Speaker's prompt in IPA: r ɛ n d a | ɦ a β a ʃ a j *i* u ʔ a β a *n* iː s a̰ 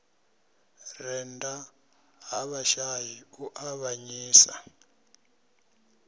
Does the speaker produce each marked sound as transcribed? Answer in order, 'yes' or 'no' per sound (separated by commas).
yes, no